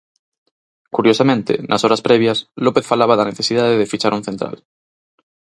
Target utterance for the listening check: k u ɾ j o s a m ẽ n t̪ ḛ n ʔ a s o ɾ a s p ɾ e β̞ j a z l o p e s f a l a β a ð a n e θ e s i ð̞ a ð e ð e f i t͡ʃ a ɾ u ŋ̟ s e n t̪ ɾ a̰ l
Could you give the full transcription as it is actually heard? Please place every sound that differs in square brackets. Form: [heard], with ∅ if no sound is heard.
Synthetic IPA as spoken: k u ɾ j o s a m ẽ n t̪ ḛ n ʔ a s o ɾ a s p ɾ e β̞ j a [s] l o p e [θ] f a l a β a ð a n e θ e s i ð̞ a ð e ð e f i t͡ʃ a ɾ u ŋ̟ [θ] e n t̪ ɾ a̰ l